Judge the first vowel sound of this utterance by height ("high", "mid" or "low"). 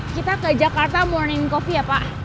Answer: high